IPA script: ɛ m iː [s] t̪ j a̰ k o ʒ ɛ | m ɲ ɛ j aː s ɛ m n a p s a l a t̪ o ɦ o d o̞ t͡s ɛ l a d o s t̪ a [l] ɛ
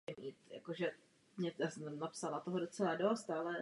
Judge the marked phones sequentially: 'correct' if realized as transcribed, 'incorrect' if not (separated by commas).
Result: incorrect, correct